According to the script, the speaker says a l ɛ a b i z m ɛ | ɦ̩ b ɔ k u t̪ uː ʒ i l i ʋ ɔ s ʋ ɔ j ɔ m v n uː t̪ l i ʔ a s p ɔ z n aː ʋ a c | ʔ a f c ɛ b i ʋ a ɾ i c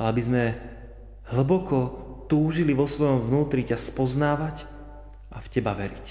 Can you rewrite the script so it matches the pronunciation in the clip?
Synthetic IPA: a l ɛ a b i z m ɛ | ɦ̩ b ɔ k ɔ t̪ uː ʒ i l i ʋ ɔ s ʋ ɔ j ɔ m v n uː t̪ ɾ i c a s p ɔ z n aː ʋ a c | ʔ a f c ɛ b a ʋ ɛ ɾ i c